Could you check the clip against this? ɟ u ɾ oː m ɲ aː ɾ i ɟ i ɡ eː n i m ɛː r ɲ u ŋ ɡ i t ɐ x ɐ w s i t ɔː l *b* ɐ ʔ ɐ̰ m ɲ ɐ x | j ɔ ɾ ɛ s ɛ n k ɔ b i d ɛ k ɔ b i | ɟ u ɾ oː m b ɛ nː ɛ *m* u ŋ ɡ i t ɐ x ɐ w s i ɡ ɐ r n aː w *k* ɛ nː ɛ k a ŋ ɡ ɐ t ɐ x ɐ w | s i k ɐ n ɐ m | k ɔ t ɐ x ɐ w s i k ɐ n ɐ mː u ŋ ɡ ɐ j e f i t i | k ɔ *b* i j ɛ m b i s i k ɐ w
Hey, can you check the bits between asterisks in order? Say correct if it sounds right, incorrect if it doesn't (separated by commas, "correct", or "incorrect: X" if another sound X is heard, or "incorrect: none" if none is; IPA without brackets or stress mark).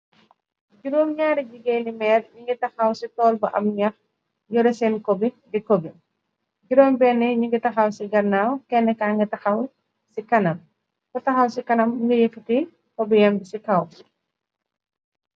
correct, incorrect: ɲ, correct, correct